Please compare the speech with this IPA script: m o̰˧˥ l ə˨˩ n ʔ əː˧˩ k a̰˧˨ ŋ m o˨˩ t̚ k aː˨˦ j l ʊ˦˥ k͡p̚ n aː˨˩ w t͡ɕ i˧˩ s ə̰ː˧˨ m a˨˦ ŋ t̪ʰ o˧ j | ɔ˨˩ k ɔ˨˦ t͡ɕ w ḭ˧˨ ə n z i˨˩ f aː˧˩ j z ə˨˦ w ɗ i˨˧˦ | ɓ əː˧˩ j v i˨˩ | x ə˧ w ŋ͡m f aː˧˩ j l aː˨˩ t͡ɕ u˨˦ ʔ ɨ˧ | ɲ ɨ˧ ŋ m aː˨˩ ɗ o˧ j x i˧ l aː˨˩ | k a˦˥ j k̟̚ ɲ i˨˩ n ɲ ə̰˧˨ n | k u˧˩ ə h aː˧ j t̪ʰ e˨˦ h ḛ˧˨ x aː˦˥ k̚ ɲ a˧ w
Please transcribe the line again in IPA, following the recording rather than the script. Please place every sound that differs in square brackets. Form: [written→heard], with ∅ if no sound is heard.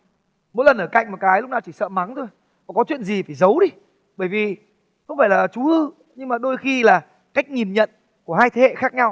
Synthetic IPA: m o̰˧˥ l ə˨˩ n ʔ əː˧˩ k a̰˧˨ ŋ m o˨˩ t̚ k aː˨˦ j l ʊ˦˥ k͡p̚ n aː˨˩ w t͡ɕ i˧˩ s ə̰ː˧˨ m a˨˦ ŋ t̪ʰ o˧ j | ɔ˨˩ k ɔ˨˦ t͡ɕ w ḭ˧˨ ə n z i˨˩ f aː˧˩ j z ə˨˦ w ɗ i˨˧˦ | ɓ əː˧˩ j v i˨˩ | x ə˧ w ŋ͡m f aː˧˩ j l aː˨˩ t͡ɕ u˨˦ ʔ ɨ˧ | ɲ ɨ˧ ŋ m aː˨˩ ɗ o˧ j x i˧ l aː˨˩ | k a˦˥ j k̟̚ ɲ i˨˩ n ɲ ə̰˧˨ n | k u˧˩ ə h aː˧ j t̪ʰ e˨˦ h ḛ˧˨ x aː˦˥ k̚ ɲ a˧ w